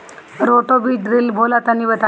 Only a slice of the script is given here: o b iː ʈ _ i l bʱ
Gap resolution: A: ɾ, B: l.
A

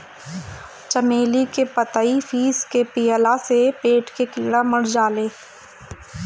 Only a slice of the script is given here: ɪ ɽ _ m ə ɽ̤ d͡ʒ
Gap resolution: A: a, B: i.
A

